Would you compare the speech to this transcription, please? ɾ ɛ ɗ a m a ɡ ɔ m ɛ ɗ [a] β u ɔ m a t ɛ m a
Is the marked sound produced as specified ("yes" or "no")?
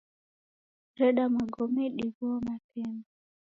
no